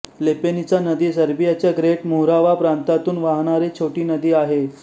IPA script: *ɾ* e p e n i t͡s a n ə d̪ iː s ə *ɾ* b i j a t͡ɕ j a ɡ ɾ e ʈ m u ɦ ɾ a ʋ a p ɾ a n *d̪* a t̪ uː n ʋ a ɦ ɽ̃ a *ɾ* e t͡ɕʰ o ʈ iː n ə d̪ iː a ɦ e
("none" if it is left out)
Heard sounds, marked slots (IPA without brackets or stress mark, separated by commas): l, ɾ, t̪, ɾ